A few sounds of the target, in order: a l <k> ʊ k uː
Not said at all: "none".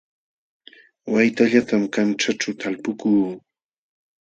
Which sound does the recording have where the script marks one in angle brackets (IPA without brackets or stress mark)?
p